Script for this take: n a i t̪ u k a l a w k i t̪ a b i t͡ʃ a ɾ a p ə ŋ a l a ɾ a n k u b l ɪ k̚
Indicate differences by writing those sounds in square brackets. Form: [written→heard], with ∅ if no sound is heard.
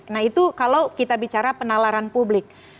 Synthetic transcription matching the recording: n a i t̪ u k a l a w k i t̪ a b i t͡ʃ a ɾ a p ə [ŋ→n] a l a ɾ a n [k→p] u b l ɪ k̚